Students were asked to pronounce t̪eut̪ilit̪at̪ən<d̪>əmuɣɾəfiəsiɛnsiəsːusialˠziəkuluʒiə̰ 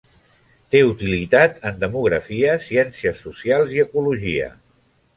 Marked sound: correct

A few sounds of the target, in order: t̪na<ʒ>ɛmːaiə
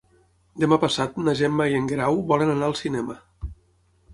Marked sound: correct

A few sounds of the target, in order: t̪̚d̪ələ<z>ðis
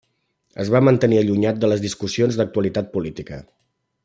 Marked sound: correct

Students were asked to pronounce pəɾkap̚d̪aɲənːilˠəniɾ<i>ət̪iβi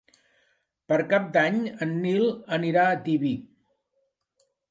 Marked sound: incorrect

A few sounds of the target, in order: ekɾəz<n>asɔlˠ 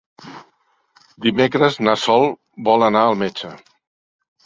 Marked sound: correct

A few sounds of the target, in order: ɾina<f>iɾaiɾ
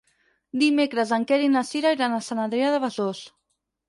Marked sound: incorrect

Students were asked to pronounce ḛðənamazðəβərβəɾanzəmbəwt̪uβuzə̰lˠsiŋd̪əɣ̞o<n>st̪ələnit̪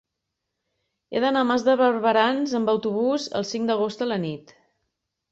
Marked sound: incorrect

